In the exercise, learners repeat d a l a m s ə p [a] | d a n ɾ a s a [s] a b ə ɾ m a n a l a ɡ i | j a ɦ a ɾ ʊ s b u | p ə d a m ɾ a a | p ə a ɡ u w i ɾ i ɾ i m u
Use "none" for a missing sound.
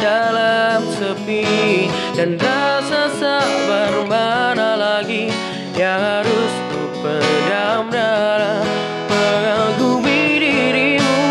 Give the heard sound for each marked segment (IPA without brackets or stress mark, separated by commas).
i, s